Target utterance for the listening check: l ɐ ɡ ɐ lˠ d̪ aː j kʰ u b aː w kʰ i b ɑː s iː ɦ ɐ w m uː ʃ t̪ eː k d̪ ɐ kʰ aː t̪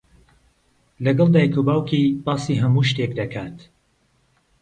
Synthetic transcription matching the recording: l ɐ ɡ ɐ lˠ d̪ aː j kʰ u b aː w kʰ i b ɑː s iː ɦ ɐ m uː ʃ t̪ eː k d̪ ɐ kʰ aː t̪